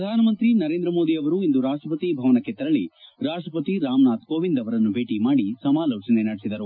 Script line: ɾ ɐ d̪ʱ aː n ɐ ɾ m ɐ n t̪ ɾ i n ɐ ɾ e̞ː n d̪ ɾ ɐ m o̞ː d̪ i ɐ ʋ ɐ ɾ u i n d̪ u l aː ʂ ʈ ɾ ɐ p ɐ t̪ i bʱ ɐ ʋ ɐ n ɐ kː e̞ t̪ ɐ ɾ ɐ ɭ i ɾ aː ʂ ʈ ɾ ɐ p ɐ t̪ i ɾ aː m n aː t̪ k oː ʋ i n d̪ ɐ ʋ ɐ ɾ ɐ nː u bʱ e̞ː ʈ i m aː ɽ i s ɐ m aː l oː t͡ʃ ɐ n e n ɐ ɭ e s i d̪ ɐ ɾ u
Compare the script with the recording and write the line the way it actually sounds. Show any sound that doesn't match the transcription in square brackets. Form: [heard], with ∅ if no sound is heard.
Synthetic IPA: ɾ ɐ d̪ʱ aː n ɐ [∅] m ɐ n t̪ ɾ i n ɐ ɾ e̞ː n d̪ ɾ ɐ m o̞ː d̪ i ɐ ʋ ɐ ɾ u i n d̪ u [ɾ] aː ʂ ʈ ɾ ɐ p ɐ t̪ i bʱ ɐ ʋ ɐ n ɐ kː e̞ t̪ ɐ ɾ ɐ ɭ i ɾ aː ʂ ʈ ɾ ɐ p ɐ t̪ i ɾ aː m n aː t̪ k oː ʋ i n d̪ ɐ ʋ ɐ ɾ ɐ nː u bʱ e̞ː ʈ i m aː ɽ i s ɐ m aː l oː t͡ʃ ɐ n e n ɐ [ɽ] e s i d̪ ɐ ɾ u